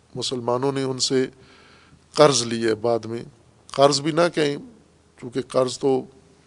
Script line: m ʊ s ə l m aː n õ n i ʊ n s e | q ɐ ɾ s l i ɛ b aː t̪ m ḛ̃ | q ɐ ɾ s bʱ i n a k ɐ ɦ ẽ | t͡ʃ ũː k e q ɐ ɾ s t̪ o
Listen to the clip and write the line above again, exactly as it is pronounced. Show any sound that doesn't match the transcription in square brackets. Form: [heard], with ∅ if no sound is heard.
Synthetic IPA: m ʊ s ə l m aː n õ n [e] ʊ n s e | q ɐ ɾ [z] l i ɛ b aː [d̪] m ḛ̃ | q ɐ ɾ [z] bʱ i n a k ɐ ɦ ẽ | t͡ʃ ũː k e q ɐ ɾ [z] t̪ o